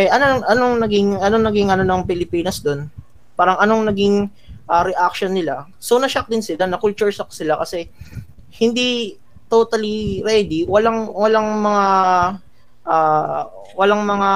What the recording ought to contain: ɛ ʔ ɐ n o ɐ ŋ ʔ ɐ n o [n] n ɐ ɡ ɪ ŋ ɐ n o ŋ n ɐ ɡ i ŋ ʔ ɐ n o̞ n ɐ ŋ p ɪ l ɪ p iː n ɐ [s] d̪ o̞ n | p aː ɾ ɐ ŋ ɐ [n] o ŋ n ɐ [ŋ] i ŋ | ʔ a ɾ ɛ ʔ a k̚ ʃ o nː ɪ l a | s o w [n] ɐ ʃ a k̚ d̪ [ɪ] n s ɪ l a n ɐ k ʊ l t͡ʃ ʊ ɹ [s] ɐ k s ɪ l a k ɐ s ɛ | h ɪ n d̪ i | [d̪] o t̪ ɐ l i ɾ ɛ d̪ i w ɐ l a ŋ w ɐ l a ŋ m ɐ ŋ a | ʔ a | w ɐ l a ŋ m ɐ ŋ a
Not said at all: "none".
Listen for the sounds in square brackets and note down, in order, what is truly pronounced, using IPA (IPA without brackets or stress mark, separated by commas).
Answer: ŋ, s, n, ɡ, n, ɪ, s, t̪